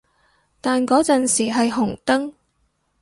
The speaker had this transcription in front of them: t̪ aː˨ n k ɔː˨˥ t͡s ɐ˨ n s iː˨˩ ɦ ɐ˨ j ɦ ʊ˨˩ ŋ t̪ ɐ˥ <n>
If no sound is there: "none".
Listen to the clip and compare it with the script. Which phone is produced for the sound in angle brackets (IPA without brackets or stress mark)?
ŋ